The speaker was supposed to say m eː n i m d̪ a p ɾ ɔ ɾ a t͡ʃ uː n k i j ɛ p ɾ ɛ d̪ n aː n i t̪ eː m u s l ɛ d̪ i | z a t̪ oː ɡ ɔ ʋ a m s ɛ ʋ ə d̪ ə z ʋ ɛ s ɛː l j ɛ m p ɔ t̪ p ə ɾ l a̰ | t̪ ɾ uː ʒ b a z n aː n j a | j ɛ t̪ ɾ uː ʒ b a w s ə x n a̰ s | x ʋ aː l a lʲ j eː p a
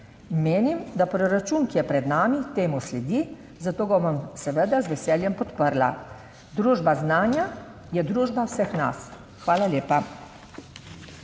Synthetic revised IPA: m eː n i m d̪ a p ɾ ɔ ɾ a t͡ʃ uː n k i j ɛ p ɾ ɛ d̪ n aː m i t̪ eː m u s l ɛ d̪ i | z a t̪ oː ɡ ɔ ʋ a m s ɛ ʋ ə d̪ a z ʋ ɛ s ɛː l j ɛ m p ɔ t̪ p ə ɾ l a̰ | d̪ ɾ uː ʒ b a z n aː n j a | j ɛ d̪ ɾ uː ʒ b a w s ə x n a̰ s | x ʋ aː l a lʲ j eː p a